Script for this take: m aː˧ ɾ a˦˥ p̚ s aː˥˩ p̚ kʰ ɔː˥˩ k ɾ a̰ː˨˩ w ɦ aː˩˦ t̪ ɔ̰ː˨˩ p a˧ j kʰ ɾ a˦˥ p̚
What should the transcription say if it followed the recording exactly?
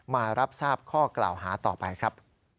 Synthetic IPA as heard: m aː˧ ɾ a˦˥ p̚ s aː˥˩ p̚ kʰ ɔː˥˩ k l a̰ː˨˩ w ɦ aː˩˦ t̪ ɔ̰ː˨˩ p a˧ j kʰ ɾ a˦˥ p̚